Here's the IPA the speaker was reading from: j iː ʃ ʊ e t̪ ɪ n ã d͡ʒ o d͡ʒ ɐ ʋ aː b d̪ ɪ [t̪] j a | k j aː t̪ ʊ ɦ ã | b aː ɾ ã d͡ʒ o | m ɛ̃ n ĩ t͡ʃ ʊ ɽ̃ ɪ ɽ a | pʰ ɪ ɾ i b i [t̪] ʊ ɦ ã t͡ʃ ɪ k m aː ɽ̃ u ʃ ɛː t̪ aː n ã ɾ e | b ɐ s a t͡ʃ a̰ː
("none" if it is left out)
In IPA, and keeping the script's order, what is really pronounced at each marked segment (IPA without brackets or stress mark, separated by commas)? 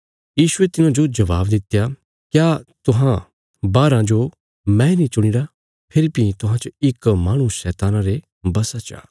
t̪, t̪